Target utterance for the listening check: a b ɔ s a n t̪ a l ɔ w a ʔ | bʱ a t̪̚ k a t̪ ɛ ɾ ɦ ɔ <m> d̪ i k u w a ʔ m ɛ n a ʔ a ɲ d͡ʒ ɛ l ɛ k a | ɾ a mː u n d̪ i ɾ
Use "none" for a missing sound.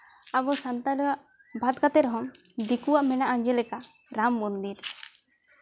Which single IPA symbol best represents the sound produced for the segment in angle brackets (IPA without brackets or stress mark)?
m